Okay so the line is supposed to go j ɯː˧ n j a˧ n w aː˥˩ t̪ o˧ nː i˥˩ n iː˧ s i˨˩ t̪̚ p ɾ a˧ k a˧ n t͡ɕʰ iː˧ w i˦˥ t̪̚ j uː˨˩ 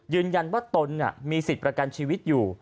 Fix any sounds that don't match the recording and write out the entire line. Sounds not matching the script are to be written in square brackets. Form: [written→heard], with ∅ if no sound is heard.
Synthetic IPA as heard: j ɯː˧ n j a˧ n w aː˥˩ t̪ o˧ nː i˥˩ [n→m] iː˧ s i˨˩ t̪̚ p ɾ a˧ k a˧ n t͡ɕʰ iː˧ w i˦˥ t̪̚ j uː˨˩